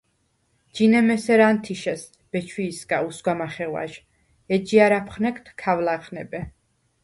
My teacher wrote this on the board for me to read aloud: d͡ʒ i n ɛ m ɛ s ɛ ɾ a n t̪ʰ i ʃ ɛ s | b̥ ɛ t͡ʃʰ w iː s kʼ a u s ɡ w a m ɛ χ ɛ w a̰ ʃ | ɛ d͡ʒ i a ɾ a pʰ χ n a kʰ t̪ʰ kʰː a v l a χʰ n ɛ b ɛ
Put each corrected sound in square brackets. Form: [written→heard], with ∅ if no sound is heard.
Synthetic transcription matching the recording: d͡ʒ i n ɛ m ɛ s ɛ ɾ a n t̪ʰ i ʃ ɛ s | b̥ ɛ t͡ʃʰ w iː s kʼ a u s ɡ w a m [ɛ→a] χ ɛ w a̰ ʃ | ɛ d͡ʒ i a ɾ a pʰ χ n [a→ɛ] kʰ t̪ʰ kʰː a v l a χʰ n ɛ b ɛ

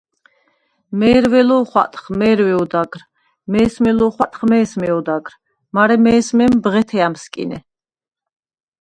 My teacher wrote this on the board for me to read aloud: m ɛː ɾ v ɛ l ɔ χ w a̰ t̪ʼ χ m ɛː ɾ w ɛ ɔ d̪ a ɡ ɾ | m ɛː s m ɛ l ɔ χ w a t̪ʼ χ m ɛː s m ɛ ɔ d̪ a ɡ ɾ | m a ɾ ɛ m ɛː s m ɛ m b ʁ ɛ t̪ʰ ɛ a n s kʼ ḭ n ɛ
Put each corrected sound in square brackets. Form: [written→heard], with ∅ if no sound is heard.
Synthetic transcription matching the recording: m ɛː ɾ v ɛ l ɔ χ w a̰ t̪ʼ χ m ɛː ɾ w ɛ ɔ d̪ a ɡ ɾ | m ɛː s m ɛ l ɔ χ w a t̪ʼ χ m ɛː s m ɛ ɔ d̪ a ɡ ɾ | m a ɾ ɛ m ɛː s m ɛ m b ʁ ɛ t̪ʰ ɛ a [n→m] s kʼ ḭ n ɛ

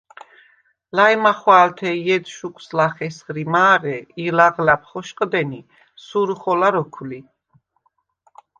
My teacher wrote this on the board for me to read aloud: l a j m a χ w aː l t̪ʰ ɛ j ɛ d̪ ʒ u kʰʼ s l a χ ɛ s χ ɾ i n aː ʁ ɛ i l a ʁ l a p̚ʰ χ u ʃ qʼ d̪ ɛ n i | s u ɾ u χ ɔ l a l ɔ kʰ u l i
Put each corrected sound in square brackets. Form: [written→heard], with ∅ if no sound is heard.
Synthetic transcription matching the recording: l a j m a χ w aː l t̪ʰ ɛ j ɛ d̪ [ʒ→ʃ] u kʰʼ s l a χ ɛ s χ ɾ i [n→m] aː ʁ ɛ i l a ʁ l a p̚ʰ χ [u→ɔ] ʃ qʼ d̪ ɛ n i | s u ɾ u χ ɔ l a [l→ɾ] ɔ kʰ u l i

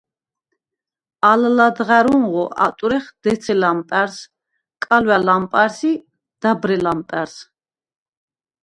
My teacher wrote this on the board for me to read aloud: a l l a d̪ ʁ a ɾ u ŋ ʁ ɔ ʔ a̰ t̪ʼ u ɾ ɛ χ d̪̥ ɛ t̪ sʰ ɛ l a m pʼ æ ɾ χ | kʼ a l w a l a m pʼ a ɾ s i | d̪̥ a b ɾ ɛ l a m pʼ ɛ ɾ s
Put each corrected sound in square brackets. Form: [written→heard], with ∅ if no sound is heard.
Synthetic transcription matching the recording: a l l a d̪ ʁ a ɾ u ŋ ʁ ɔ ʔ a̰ t̪ʼ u ɾ ɛ χ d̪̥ ɛ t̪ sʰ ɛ l a m pʼ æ ɾ [χ→s] | kʼ a l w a l a m pʼ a ɾ s i | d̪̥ a b ɾ ɛ l a m pʼ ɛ ɾ s

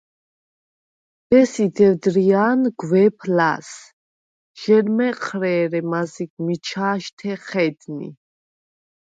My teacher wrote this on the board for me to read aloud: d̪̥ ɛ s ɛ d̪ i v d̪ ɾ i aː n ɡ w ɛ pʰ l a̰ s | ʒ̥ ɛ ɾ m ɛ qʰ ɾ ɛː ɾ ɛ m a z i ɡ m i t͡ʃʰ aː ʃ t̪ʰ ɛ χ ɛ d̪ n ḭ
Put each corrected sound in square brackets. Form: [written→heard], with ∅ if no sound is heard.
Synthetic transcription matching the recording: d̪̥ ɛ s [ɛ→i] d̪ [i→ɛ] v d̪ ɾ i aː n ɡ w ɛ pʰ l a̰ s | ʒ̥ ɛ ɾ m ɛ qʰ ɾ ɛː ɾ ɛ m a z i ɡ m i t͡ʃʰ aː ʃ t̪ʰ ɛ χ ɛ d̪ n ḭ

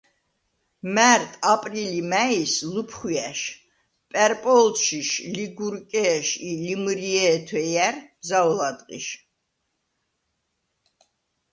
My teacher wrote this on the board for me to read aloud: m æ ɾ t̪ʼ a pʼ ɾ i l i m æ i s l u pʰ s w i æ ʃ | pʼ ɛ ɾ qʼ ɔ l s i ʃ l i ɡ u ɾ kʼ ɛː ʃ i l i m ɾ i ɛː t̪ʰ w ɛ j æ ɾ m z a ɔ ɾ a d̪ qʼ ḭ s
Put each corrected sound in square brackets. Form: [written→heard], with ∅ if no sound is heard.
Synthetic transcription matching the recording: m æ ɾ t̪ʼ a pʼ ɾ i l i m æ i s l u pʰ [s→χ] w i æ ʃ | pʼ ɛ ɾ [qʼ→pʼ] ɔ l [s→ʃ] i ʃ l i ɡ u ɾ kʼ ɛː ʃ i l i m ɾ i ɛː t̪ʰ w ɛ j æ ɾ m z a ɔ [ɾ→l] a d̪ qʼ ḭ [s→ʃ]

